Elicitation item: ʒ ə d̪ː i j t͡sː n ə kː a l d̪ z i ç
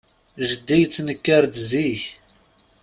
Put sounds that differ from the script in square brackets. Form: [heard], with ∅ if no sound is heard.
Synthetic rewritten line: ʒ ə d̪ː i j t͡sː n ə kː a [ɾ] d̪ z i ç